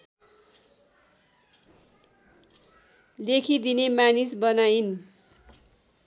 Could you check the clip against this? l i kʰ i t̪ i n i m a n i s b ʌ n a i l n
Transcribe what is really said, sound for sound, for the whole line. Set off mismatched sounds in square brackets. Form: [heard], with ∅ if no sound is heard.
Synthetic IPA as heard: l [e] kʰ i [d̪] i n [e] m a n i s b ʌ n a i [∅] n